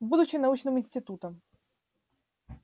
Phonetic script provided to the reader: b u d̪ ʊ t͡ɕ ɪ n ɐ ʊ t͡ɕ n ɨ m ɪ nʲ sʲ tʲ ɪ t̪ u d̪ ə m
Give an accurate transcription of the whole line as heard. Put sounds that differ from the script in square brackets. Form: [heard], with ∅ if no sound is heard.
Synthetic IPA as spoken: b u d̪ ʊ t͡ɕ ɪ n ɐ [u] t͡ɕ n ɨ m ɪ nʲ sʲ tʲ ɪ t̪ u [t̪] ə m